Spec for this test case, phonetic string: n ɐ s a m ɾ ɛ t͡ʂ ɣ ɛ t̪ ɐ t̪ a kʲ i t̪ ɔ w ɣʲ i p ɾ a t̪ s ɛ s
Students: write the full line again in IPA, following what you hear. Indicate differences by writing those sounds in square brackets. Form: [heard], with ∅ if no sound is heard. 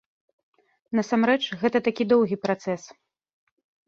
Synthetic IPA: n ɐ s a m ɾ ɛ t͡ʂ ɣ ɛ t̪ ɐ t̪ a kʲ i [d̪] ɔ w ɣʲ i p ɾ a t̪ s ɛ s

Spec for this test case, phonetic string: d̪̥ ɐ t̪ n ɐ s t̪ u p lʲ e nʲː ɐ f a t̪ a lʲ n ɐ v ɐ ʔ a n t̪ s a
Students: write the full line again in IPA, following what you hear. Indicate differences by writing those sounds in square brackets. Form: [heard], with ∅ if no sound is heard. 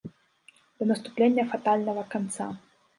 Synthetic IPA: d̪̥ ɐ [∅] n ɐ s t̪ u p lʲ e nʲː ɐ f a t̪ a lʲ n ɐ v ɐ [k] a n t̪ s a

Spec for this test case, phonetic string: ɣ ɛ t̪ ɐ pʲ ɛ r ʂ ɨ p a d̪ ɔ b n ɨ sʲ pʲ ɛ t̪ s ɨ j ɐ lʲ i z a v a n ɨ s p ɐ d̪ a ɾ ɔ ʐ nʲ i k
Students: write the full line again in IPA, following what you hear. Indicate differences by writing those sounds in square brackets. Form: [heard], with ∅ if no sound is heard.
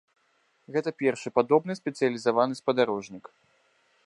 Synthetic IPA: ɣ ɛ t̪ ɐ pʲ ɛ r ʂ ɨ p a d̪ ɔ b n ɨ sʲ pʲ ɛ t̪ s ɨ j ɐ lʲ i z a v a n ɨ s p ɐ d̪ a ɾ ɔ ʐ nʲ i k

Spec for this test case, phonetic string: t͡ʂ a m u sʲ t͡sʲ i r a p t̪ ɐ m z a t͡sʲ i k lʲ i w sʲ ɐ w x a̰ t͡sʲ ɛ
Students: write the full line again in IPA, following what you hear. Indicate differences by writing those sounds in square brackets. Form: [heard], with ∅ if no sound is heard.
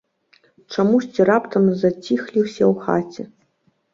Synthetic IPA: t͡ʂ a m u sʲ t͡sʲ i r a p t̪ ɐ m z a t͡sʲ i [x] lʲ i w sʲ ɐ w x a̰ t͡sʲ ɛ

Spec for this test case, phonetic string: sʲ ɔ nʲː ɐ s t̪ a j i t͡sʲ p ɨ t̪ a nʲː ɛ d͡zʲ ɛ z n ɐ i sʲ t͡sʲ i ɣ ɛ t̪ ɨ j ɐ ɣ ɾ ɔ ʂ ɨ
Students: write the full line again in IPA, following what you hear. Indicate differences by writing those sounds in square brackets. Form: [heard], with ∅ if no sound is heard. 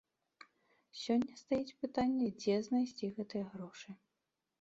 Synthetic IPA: sʲ ɔ nʲː ɐ s t̪ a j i t͡sʲ p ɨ t̪ a nʲː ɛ d͡zʲ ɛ z n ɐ [j] sʲ t͡sʲ i ɣ ɛ t̪ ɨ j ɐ ɣ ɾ ɔ ʂ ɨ

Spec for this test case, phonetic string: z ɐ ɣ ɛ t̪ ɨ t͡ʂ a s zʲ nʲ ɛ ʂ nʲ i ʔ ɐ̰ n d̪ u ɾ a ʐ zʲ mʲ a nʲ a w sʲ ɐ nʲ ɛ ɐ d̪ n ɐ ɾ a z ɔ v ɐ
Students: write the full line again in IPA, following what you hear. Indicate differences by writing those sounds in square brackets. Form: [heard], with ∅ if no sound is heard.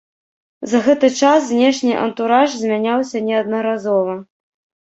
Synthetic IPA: z ɐ ɣ ɛ t̪ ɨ t͡ʂ a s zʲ nʲ ɛ ʂ nʲ i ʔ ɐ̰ n [t̪] u ɾ a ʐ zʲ mʲ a nʲ a w sʲ ɐ nʲ ɛ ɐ d̪ n ɐ ɾ a z ɔ v ɐ

